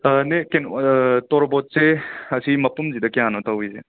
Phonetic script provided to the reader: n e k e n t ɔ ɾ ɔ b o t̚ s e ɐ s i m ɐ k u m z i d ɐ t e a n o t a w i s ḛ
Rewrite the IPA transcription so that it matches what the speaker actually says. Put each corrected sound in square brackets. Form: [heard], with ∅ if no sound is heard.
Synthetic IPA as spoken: n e k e n t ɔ ɾ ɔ b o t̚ s e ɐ s i m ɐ [p] u m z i d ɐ [k] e a n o t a w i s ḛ